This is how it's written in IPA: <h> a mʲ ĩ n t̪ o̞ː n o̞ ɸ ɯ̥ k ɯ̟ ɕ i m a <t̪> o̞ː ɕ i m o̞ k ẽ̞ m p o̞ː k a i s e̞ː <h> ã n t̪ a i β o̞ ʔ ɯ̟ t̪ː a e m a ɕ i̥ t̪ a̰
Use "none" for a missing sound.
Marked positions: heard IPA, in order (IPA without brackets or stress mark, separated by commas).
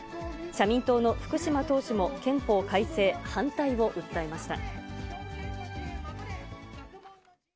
ɕ, t̪, h